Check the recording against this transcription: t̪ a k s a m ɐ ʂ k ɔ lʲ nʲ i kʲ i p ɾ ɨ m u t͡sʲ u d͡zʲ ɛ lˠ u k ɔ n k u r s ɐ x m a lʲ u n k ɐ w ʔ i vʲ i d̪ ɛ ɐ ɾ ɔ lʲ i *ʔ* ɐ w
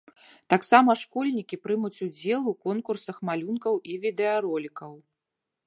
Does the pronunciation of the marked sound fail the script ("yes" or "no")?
yes